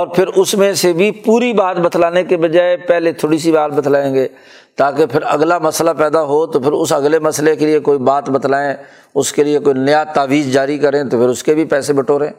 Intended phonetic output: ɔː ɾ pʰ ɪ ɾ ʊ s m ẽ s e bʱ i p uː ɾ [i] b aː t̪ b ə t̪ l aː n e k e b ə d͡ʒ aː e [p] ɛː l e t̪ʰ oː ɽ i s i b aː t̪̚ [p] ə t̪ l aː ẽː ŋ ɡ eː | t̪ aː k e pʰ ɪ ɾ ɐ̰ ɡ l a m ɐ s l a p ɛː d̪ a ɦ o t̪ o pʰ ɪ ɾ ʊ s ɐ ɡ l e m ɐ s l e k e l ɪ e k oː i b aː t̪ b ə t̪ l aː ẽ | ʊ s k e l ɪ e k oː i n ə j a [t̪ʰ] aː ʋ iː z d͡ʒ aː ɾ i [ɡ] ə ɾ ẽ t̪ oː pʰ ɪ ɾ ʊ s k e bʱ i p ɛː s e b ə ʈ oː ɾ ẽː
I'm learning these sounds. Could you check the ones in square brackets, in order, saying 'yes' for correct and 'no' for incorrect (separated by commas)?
yes, yes, no, no, no